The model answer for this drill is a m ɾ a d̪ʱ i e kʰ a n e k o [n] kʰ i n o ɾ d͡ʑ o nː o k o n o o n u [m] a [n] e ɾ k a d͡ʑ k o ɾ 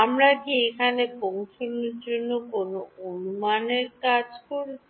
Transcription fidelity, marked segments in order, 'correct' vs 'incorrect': incorrect: ŋ, correct, correct

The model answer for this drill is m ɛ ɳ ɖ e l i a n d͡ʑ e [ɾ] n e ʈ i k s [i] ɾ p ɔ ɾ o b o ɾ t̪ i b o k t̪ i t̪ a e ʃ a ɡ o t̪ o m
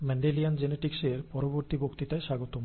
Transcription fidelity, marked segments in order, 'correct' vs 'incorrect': incorrect: none, incorrect: e

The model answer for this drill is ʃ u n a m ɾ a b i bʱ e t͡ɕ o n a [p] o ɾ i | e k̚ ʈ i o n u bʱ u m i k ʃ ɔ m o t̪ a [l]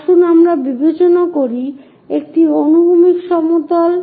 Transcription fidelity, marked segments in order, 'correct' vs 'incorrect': incorrect: k, correct

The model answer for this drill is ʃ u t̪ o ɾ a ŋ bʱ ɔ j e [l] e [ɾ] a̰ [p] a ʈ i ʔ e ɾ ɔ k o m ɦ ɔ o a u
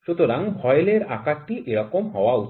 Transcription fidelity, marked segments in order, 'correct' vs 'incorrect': correct, correct, incorrect: k

